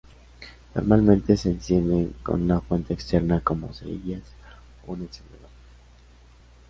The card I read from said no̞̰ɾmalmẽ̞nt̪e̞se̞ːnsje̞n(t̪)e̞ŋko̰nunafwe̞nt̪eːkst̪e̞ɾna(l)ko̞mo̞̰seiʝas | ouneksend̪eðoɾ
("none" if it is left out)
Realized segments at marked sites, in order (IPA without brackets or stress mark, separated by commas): d̪, none